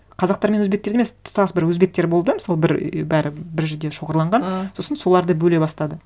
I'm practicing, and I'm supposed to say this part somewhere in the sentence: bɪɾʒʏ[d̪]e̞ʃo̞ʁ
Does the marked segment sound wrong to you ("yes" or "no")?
no